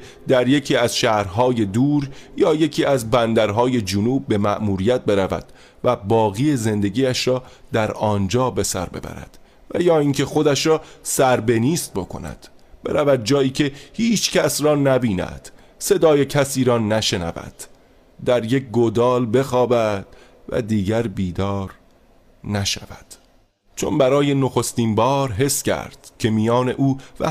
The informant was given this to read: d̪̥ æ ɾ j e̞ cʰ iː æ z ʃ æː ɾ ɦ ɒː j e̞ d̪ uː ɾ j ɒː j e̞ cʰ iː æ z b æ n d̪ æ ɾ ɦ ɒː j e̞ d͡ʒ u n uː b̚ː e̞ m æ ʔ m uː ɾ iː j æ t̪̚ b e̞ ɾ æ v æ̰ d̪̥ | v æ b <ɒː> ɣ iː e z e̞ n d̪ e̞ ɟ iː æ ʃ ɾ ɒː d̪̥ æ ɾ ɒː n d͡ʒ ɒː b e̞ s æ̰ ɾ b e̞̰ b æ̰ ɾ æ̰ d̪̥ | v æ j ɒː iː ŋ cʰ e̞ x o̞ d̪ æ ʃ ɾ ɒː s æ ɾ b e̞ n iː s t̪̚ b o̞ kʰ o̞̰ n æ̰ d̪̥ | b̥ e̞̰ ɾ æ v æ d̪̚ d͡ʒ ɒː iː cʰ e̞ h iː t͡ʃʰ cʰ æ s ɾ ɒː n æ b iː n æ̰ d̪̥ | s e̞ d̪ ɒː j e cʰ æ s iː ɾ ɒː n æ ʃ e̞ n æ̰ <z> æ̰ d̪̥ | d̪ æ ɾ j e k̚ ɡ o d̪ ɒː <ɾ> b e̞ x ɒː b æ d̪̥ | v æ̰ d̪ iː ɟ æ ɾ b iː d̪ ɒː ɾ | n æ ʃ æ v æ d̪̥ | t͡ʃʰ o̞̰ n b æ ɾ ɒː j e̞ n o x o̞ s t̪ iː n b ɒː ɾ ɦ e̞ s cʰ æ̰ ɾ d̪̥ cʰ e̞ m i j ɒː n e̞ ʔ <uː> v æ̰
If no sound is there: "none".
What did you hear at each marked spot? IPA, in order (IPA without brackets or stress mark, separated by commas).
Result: ɒː, v, l, uː